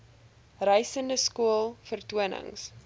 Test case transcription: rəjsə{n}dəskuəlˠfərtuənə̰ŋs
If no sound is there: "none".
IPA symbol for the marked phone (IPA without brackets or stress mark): n